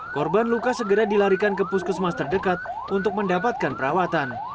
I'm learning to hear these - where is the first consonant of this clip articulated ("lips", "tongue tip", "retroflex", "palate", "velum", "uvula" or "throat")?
velum